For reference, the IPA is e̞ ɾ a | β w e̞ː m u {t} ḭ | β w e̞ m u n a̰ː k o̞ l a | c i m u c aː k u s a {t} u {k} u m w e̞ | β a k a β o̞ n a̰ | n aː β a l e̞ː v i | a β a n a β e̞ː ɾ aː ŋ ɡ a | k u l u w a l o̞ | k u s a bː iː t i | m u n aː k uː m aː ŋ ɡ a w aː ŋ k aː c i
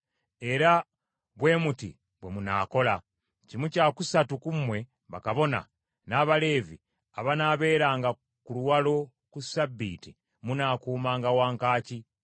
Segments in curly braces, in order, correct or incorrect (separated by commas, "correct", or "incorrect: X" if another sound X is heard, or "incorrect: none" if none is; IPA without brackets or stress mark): correct, correct, correct